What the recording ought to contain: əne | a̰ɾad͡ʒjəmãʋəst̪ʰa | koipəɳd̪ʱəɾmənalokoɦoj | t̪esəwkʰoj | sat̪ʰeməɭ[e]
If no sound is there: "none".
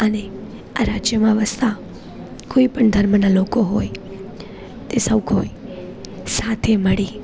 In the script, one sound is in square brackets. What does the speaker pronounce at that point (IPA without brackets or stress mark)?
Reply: i